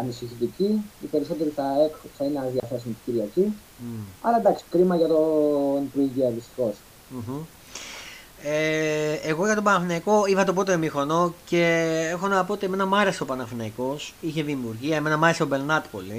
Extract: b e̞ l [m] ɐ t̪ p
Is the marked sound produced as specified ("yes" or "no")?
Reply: no